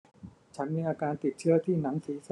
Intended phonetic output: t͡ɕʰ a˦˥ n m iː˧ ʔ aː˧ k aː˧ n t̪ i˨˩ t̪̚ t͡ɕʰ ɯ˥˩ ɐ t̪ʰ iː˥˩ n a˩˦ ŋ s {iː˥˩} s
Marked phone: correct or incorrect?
incorrect